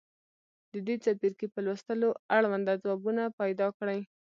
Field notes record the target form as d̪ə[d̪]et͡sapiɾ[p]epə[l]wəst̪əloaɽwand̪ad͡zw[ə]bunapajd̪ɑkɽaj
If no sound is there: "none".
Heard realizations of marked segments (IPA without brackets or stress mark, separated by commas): d̪, k, l, ɑ